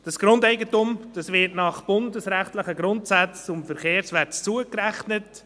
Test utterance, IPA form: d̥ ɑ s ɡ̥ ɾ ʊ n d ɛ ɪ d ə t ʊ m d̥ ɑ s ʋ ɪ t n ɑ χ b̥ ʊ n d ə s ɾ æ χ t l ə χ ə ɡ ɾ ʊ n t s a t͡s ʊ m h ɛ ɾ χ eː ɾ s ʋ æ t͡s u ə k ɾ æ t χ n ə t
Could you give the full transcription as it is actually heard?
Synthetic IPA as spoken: d̥ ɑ s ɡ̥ ɾ ʊ n d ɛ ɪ ɡ ə t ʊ m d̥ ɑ s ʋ ɪ t n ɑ χ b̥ ʊ n d ə s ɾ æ χ t l ə χ ə ɡ ɾ ʊ n t s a t͡s ʊ m f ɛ ɾ χ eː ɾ s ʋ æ t͡s u ə k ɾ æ χ n ə t